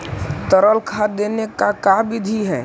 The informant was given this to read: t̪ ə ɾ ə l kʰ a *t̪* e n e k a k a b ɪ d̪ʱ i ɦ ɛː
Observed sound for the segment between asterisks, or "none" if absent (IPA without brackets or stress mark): d̪